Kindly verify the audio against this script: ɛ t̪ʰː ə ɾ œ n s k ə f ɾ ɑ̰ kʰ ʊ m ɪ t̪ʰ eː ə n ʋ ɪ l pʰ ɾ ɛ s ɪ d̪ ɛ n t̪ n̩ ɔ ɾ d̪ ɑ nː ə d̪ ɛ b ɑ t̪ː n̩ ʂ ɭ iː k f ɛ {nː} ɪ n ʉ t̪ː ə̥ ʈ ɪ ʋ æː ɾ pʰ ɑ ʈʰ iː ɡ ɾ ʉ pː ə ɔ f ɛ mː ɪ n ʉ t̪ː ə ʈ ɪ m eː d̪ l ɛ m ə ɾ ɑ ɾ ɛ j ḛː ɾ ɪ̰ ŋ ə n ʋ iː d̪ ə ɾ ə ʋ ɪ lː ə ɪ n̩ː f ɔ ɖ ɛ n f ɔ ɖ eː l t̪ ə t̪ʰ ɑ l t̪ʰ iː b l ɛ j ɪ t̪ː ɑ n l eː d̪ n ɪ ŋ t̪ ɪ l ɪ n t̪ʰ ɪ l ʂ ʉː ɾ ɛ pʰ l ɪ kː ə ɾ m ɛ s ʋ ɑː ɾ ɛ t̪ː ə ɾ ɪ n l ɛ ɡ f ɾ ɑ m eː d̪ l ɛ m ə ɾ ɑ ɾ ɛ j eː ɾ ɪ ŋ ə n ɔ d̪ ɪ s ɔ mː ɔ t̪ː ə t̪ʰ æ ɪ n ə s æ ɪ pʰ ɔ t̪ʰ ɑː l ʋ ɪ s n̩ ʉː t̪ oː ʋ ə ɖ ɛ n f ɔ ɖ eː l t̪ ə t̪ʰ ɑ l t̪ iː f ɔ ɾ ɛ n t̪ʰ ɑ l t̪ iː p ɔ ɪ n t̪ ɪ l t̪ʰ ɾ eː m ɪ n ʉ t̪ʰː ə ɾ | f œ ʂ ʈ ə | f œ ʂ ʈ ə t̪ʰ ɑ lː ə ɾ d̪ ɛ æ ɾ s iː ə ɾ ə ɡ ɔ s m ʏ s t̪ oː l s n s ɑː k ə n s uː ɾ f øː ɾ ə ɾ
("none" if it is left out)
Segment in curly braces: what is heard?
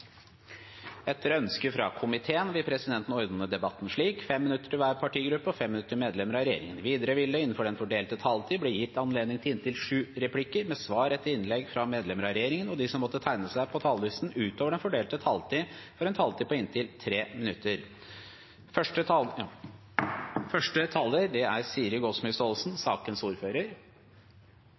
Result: mː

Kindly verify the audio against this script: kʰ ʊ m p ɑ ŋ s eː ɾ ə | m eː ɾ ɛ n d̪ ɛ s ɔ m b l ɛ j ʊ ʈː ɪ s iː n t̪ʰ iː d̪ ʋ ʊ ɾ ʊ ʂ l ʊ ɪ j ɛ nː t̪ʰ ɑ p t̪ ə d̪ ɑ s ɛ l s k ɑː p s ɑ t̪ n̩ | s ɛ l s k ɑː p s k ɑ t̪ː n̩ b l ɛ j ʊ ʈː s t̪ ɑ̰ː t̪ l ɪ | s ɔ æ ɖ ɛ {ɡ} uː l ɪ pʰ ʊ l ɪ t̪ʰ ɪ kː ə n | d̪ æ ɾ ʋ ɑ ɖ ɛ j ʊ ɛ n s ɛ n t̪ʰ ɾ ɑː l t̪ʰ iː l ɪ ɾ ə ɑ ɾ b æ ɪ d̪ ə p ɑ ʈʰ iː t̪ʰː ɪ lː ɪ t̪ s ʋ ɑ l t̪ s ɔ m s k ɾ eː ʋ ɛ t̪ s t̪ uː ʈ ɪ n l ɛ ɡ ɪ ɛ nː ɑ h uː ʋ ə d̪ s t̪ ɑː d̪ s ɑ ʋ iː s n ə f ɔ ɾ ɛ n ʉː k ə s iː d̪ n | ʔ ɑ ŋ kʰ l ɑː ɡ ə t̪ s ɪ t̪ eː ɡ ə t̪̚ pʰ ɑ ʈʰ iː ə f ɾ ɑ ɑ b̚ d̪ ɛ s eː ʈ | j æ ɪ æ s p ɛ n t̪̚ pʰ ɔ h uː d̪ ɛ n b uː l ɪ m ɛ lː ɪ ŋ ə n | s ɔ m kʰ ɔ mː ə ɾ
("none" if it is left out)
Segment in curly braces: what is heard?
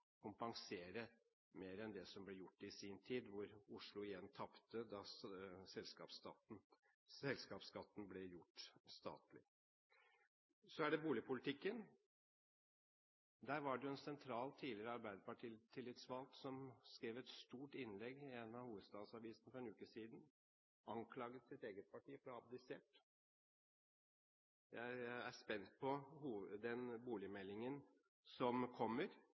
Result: b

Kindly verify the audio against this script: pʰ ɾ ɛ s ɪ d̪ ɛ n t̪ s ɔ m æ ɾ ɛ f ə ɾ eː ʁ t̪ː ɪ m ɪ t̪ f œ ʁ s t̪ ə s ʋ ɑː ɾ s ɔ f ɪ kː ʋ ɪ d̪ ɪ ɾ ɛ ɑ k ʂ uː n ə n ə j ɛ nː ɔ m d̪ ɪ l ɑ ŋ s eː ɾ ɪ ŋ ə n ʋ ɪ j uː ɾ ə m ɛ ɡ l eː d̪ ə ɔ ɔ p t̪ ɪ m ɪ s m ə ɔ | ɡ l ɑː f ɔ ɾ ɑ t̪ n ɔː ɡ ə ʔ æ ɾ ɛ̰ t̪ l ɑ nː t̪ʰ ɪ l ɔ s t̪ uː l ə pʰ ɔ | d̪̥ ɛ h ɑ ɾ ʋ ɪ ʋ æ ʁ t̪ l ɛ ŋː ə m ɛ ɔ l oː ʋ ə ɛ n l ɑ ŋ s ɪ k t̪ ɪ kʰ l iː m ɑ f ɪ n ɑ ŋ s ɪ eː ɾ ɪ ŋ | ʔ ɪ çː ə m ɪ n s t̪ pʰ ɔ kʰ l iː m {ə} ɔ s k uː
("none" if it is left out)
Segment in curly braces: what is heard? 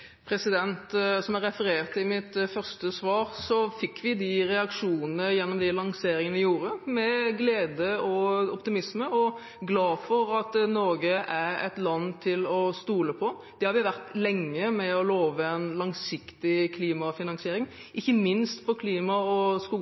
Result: ɑ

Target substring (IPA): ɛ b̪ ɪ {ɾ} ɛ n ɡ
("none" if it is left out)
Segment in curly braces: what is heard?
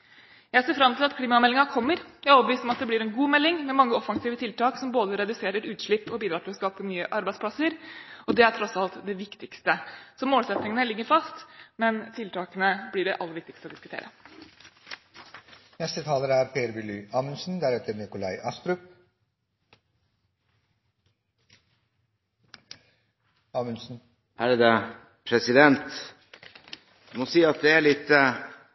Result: ɾ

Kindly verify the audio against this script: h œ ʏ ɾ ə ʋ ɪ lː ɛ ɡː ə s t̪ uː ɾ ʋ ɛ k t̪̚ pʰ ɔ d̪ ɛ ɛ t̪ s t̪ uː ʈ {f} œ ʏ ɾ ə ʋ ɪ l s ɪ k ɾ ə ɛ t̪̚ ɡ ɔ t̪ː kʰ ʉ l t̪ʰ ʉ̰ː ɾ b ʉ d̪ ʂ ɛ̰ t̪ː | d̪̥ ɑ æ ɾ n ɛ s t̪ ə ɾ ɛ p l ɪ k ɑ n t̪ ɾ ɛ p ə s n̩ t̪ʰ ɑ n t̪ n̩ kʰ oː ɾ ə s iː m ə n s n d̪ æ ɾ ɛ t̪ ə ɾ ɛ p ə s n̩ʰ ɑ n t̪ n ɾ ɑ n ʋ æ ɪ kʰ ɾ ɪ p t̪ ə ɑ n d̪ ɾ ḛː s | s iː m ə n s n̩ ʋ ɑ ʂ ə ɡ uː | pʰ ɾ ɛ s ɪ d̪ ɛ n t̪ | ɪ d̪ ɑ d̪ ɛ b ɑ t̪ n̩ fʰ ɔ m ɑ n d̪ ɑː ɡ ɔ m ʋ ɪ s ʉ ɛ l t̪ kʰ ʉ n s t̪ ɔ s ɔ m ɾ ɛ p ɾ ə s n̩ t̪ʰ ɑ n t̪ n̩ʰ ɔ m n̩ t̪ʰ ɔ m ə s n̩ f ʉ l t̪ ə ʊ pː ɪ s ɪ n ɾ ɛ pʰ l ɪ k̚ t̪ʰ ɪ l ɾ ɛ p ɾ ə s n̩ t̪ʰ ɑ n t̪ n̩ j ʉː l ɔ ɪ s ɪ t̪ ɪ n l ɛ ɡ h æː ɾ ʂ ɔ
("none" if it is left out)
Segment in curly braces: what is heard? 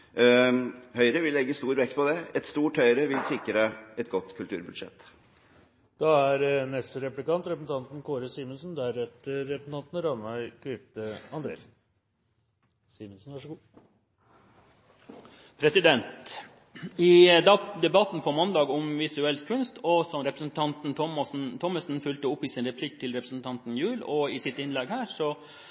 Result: h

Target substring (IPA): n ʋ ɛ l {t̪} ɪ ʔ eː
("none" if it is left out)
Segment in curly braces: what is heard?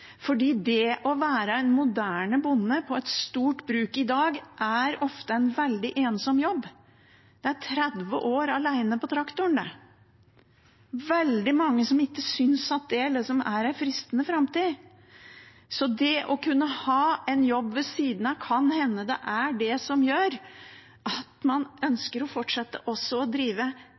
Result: d̪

